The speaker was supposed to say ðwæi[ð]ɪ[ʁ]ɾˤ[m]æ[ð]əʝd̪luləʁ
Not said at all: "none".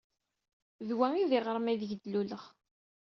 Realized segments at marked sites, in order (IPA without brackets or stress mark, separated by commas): ð, ʁ, m, ð